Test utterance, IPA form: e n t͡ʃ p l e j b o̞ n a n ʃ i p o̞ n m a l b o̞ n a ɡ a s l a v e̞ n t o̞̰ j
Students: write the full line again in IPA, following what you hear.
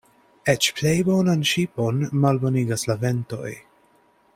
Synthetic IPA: e t͡ʃ p l e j b o̞ n a n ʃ i p o̞ n m a l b o̞ n i ɡ a s l a v e̞ n t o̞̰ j